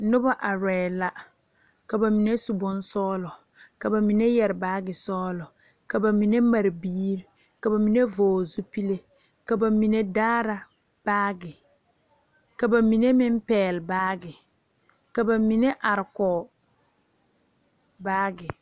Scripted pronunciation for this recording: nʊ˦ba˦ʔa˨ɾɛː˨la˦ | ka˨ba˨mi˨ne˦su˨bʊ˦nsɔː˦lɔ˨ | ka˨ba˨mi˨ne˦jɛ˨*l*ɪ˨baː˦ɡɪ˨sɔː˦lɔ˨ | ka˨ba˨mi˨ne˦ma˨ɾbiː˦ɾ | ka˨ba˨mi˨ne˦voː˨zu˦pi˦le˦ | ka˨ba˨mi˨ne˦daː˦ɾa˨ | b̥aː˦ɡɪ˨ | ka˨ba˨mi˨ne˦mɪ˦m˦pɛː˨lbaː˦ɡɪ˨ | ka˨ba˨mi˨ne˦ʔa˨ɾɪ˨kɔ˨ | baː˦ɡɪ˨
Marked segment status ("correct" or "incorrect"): incorrect